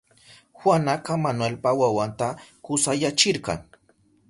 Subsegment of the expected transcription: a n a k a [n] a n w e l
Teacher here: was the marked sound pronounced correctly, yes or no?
no